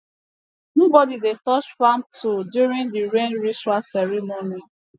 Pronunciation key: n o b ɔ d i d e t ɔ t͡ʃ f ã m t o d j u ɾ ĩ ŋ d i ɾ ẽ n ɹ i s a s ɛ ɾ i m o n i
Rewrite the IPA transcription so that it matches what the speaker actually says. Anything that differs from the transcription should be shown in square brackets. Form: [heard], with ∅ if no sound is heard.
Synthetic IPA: n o b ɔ d i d e t ɔ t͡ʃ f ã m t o d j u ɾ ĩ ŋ d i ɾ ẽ n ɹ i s a s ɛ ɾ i m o n i